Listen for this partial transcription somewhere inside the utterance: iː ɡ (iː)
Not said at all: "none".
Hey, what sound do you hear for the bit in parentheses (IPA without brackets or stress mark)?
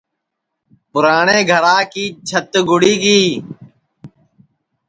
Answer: iː